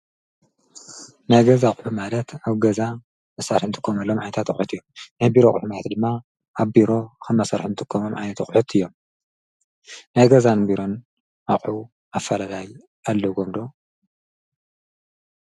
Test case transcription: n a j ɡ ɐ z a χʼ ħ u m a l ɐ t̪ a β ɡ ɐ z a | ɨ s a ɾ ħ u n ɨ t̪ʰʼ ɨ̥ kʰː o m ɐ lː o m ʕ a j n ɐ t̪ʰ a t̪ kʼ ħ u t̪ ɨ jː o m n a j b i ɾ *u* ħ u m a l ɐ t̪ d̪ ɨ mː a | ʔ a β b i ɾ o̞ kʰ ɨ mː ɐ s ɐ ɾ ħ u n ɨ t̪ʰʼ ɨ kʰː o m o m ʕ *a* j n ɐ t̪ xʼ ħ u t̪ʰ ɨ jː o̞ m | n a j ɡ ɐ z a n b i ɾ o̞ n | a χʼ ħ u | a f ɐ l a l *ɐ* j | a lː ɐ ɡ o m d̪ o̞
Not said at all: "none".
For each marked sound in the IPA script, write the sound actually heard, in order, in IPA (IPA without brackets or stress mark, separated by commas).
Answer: o, a, a